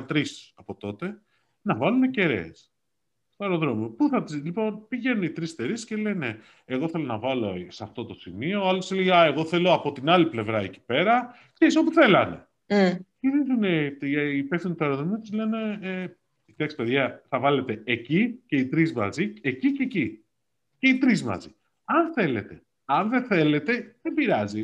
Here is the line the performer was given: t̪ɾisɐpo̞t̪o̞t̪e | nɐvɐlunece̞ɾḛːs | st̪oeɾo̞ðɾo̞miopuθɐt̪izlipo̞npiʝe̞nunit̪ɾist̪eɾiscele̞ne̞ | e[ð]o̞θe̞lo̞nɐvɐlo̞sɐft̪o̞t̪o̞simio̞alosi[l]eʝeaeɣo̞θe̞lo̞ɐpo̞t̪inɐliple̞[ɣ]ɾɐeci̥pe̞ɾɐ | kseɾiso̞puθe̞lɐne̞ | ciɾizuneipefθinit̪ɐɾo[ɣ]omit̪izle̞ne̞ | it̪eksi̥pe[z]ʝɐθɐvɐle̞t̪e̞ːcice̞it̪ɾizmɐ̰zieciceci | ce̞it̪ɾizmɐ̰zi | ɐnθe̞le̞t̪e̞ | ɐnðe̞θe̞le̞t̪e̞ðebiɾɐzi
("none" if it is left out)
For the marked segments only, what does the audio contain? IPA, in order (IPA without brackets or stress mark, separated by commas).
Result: ɣ, l, v, ð, ð